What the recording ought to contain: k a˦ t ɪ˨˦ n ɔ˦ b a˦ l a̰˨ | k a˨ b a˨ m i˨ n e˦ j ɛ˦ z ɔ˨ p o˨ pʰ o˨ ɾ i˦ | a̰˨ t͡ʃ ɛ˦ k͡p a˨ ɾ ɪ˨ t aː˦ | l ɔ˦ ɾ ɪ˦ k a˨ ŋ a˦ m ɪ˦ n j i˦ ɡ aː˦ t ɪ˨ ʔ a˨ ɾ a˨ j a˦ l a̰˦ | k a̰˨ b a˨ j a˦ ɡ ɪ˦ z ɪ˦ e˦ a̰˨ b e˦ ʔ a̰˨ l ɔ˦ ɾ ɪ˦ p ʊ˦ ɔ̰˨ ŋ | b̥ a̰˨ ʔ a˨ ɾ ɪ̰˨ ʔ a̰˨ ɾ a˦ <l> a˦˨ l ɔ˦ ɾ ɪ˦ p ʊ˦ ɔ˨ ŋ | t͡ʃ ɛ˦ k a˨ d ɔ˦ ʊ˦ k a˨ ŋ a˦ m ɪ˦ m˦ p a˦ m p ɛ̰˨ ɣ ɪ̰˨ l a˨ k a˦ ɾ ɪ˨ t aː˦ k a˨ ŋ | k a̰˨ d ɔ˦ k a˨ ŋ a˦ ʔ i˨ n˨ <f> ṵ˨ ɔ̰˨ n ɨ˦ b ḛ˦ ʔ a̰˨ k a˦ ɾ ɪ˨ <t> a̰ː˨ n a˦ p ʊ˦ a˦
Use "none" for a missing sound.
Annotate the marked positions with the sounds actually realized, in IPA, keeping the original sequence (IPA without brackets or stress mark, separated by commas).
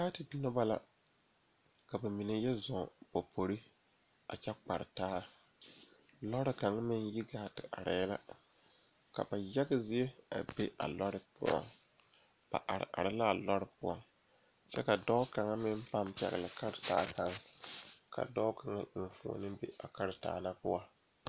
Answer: l, f, t